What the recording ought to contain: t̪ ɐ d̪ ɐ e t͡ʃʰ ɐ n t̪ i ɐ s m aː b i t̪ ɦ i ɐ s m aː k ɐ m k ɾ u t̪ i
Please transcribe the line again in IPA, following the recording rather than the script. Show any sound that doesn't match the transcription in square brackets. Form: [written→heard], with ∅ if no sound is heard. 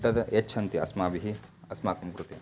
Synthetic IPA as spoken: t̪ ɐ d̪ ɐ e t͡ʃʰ ɐ n t̪ i ɐ s m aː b i [t̪→∅] ɦ i ɐ s m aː k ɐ m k ɾ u t̪ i